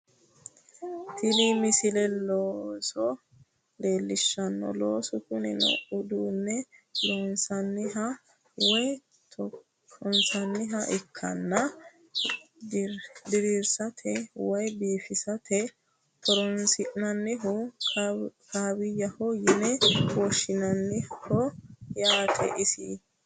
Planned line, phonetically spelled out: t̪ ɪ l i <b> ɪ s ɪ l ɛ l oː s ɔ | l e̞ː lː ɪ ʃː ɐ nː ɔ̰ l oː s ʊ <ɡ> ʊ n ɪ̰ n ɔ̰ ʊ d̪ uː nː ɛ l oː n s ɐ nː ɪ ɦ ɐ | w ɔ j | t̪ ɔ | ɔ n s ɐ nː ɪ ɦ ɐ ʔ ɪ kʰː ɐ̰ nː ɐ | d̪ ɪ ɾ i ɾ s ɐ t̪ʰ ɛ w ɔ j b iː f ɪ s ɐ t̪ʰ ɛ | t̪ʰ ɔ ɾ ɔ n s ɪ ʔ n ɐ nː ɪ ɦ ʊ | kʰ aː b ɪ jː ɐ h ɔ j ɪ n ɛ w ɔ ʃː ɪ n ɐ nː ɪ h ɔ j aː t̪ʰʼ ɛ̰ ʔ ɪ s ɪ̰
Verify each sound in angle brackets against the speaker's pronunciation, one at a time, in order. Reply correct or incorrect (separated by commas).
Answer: incorrect, incorrect